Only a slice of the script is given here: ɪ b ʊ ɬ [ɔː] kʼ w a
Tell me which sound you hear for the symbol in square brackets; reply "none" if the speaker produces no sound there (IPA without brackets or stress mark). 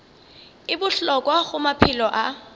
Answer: ɔ